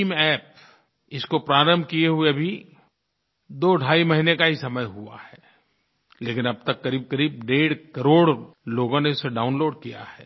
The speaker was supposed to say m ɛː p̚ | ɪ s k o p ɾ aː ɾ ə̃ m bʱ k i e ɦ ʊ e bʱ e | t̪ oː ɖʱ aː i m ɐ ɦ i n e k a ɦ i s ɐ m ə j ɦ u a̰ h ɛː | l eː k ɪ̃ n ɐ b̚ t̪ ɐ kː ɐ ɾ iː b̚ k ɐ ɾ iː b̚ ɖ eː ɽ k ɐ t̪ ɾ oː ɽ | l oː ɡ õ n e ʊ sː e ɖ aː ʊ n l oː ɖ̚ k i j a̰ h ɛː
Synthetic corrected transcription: m ɛː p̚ | ɪ s k o p ɾ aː ɾ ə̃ m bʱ k i e ɦ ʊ e bʱ i | d̪ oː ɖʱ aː i m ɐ ɦ i n e k a ɦ i s ɐ m ə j ɦ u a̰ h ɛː | l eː k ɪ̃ n ɐ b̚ t̪ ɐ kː ɐ ɾ iː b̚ k ɐ ɾ iː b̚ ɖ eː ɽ k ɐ ɾ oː ɽ | l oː ɡ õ n e ʊ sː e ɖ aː ʊ n l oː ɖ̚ k i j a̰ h ɛː

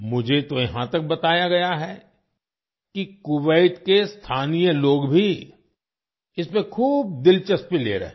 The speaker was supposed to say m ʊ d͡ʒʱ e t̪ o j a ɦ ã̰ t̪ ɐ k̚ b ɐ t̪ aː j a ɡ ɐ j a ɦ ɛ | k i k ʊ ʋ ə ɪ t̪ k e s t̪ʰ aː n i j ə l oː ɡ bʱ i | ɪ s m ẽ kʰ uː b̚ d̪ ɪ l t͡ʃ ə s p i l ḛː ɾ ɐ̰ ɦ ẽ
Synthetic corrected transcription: m ʊ d͡ʒʱ e t̪ o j ɐ ɦ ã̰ t̪ ɐ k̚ b ɐ t̪ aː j a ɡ ɐ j a ɦ ɛ | k i k ʊ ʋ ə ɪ t̪ k e s t̪ʰ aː n i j ə l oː ɡ bʱ i | ɪ s m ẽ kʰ uː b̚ d̪ ɪ l t͡ʃ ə s p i l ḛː ɾ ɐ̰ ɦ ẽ

